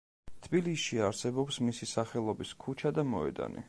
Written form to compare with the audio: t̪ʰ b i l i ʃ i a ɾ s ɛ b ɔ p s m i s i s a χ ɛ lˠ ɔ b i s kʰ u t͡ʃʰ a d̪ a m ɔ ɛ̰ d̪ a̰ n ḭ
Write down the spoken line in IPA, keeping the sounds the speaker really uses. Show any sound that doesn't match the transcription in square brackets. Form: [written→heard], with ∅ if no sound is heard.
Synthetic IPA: t̪ʰ b i l i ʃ i a ɾ s ɛ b ɔ p s m i s i s a χ ɛ lˠ ɔ b i s kʰ u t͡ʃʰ a d̪ a m ɔ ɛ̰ d̪ a̰ n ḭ